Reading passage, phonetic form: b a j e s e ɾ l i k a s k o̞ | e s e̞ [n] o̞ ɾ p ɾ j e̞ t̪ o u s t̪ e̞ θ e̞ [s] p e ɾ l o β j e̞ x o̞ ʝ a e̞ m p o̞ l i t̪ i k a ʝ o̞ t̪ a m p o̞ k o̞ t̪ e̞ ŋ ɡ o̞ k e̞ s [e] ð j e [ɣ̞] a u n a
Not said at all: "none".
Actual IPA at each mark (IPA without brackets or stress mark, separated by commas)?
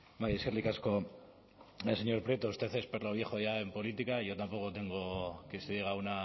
ɲ, s, e, ɣ̞